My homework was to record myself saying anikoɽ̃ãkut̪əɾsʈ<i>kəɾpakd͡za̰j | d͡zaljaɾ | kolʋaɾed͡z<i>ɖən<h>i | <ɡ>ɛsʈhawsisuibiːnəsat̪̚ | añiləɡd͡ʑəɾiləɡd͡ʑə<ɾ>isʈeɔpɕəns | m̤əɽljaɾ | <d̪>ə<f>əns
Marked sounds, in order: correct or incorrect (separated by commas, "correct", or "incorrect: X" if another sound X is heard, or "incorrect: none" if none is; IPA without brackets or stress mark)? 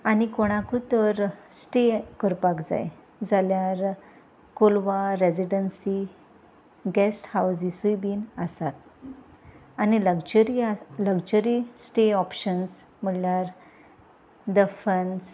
incorrect: e, correct, incorrect: s, correct, correct, correct, correct